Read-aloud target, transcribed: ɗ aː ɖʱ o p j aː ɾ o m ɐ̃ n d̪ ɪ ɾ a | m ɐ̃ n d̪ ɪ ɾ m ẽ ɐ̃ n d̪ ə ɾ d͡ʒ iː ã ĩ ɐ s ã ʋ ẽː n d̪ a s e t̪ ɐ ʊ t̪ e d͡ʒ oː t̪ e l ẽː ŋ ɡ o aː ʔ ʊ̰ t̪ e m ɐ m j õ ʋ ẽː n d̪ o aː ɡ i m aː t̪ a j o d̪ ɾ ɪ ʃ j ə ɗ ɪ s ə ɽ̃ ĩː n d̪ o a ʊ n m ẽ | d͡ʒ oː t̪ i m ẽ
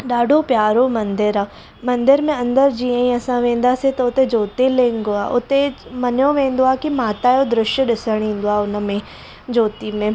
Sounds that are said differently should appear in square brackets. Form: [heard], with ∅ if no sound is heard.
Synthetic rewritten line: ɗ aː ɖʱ o p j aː ɾ o m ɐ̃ n d̪ ɪ ɾ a | m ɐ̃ n d̪ ɪ ɾ m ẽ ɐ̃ n d̪ ə ɾ d͡ʒ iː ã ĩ ɐ s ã ʋ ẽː n d̪ a s e t̪ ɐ ʊ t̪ e d͡ʒ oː t̪ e l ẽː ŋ ɡ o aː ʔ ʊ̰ t̪ e m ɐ [n] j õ ʋ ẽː n d̪ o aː [k] i m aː t̪ a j o d̪ ɾ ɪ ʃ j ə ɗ ɪ s ə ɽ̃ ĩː n d̪ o a ʊ n m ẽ | d͡ʒ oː t̪ i m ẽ

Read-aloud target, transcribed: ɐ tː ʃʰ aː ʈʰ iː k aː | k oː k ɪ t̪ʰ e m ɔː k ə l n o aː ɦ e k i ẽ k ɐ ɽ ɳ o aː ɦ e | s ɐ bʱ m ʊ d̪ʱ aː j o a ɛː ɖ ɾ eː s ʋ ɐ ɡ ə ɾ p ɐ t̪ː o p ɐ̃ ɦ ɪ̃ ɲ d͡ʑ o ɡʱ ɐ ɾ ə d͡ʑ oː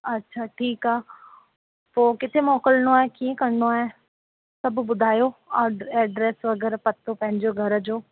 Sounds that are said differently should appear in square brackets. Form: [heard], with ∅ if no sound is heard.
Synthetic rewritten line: ɐ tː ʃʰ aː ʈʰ iː k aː | [p] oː k ɪ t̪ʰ e m ɔː k ə l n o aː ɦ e k i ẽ k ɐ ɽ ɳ o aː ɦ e | s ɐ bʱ [b] ʊ d̪ʱ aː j o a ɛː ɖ ɾ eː s ʋ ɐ ɡ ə ɾ p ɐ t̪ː o p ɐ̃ ɦ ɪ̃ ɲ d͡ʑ o ɡʱ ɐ ɾ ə d͡ʑ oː

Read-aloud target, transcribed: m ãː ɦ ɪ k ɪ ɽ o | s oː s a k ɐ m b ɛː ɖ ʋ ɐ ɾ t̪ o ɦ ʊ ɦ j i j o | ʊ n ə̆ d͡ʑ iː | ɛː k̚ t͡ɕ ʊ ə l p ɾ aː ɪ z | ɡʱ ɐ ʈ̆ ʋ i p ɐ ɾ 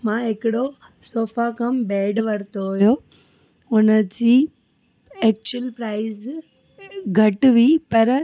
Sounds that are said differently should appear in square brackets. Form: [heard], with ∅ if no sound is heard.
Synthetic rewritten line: m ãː ɦ ɪ k ɪ ɽ o | s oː [f] a k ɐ m b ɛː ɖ ʋ ɐ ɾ t̪ o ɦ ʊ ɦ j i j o | ʊ n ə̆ d͡ʑ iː | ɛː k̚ t͡ɕ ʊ ə l p ɾ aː ɪ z | ɡʱ ɐ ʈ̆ ʋ i p ɐ ɾ

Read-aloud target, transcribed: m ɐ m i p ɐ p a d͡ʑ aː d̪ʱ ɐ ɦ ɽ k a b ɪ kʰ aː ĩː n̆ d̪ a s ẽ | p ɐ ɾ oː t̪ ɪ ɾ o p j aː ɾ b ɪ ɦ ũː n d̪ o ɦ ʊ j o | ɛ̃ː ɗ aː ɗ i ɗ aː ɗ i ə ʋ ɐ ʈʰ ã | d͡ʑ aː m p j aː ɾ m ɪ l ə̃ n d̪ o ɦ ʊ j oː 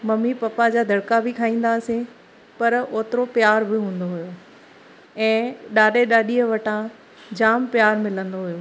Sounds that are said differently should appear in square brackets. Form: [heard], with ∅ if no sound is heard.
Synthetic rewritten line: m ɐ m i p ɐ p a d͡ʑ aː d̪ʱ ɐ [∅] ɽ k a b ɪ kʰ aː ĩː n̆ d̪ a s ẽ | p ɐ ɾ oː t̪ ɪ ɾ o p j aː ɾ b ɪ ɦ ũː n d̪ o ɦ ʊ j o | ɛ̃ː ɗ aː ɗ [e] ɗ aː ɗ i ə ʋ ɐ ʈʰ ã | d͡ʑ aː m p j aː ɾ m ɪ l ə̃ n d̪ o ɦ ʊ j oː

